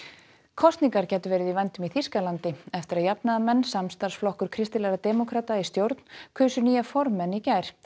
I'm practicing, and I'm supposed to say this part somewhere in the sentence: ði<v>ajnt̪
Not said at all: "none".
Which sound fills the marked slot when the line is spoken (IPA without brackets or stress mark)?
v